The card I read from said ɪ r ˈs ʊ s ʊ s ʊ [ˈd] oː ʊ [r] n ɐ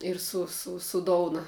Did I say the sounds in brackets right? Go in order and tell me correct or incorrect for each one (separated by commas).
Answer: correct, incorrect